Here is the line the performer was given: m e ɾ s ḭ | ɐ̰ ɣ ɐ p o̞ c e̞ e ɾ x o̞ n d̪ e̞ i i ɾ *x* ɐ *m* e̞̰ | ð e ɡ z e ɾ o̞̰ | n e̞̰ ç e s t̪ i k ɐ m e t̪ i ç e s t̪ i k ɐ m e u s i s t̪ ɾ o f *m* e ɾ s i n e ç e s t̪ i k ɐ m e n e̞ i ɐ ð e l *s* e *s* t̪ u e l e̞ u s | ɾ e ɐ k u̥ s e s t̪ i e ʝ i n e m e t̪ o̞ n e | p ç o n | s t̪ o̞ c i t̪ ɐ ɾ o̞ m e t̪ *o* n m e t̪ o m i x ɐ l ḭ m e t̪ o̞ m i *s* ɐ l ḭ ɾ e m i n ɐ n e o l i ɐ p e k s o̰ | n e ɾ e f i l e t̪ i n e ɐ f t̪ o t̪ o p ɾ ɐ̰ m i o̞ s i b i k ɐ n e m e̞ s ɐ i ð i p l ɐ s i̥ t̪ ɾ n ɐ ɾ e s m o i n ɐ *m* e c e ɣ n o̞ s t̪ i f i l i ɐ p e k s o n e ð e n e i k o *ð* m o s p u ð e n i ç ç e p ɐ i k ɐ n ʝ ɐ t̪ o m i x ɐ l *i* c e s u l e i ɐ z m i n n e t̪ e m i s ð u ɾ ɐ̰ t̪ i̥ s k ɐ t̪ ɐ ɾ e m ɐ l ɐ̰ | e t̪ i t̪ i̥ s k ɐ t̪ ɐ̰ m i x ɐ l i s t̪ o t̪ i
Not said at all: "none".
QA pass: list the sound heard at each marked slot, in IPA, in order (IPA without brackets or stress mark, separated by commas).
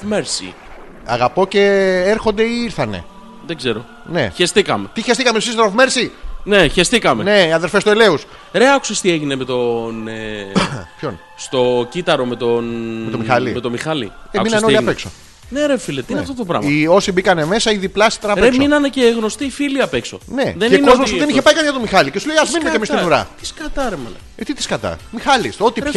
θ, n, m, f, s, o, x, n, z, i